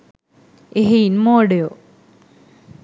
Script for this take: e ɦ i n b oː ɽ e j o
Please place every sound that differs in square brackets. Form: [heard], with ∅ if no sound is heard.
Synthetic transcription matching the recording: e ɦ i n [m] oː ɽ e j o

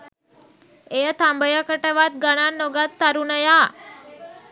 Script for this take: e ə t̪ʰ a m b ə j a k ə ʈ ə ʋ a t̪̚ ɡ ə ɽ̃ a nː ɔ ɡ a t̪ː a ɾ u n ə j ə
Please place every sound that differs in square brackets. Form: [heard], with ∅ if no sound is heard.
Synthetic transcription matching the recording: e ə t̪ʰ a m b ə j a k ə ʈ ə ʋ a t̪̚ ɡ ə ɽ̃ a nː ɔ ɡ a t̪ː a ɾ u n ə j [a]

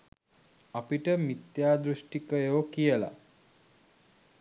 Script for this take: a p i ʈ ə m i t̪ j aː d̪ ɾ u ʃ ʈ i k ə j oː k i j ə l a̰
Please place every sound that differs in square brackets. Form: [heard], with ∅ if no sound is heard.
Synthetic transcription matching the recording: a p i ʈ ə m i t̪ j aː d̪ ɾ u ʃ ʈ i k ə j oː k i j ə l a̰

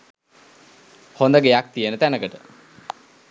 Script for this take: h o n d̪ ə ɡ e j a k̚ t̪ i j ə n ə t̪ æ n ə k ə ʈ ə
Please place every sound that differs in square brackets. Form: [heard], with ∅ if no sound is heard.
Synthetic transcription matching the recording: h o n d̪ ə ɡ e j a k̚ t̪ i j ə n ə t̪ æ n ə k ə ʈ ə

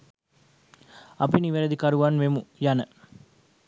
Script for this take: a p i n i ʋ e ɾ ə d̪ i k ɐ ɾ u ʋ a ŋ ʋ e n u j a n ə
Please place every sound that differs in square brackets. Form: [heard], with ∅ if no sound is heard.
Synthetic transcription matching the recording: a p i n i ʋ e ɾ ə d̪ i k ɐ ɾ u ʋ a [n] ʋ e [m] u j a n ə

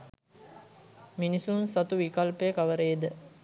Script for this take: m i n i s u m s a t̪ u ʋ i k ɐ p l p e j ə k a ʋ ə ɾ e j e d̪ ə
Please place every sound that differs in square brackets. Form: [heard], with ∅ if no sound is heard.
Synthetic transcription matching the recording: m i n i s u [n] s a t̪ u ʋ i k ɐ [∅] l p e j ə k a ʋ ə ɾ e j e d̪ ə

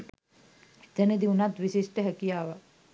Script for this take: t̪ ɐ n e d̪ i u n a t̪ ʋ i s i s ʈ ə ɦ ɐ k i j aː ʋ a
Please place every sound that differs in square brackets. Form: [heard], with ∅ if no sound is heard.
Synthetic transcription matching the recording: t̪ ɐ n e d̪ i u n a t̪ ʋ i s i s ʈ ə ɦ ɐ k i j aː ʋ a

